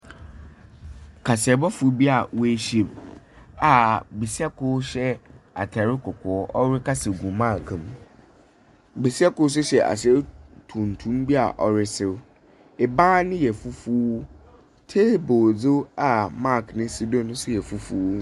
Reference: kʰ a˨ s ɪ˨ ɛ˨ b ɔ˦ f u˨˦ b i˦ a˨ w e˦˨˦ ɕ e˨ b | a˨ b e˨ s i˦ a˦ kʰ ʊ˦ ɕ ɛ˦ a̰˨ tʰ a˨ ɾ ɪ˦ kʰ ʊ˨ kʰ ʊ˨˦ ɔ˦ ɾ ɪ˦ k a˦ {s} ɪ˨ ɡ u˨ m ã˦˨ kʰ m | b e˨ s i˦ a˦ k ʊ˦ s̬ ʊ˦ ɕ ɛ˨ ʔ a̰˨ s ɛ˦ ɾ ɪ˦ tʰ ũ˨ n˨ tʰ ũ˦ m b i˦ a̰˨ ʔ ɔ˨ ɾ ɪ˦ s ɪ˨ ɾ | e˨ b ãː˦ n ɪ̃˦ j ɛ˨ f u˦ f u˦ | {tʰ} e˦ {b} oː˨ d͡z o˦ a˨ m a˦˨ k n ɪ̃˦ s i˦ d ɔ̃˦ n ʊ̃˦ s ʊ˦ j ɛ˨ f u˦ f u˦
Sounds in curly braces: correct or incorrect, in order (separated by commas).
correct, correct, correct